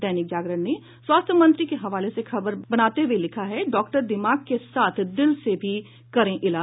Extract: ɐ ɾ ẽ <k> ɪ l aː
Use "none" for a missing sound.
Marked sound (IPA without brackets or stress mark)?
ʔ